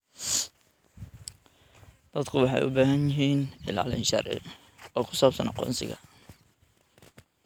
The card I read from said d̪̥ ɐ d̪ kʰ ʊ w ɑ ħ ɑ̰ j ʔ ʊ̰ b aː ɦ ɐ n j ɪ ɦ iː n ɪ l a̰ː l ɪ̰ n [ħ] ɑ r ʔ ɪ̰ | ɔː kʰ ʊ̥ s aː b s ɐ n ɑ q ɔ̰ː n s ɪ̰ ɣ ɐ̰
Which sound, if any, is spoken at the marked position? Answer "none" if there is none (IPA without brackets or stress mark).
ʃ